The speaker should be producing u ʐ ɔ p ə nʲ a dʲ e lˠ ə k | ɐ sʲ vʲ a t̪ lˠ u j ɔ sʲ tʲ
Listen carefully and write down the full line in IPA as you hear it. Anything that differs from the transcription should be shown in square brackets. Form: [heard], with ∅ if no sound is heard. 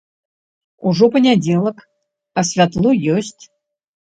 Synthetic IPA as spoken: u ʐ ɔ p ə nʲ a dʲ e lˠ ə k | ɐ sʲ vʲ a t̪ lˠ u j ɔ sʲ tʲ